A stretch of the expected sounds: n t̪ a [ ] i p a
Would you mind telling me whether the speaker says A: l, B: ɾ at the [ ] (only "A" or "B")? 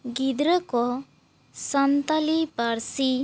A